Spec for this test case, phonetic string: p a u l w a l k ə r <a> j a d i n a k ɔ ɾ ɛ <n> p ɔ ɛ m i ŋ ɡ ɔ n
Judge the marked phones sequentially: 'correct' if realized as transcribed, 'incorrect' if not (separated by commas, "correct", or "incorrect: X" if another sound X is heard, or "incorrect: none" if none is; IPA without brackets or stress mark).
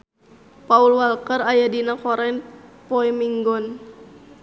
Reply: correct, correct